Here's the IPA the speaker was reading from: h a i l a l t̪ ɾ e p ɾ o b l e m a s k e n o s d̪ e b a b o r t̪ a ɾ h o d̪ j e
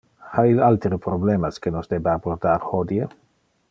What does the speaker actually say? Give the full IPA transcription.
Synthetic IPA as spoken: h a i l a l t̪ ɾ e p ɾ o b l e m a s k e n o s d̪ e b a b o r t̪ a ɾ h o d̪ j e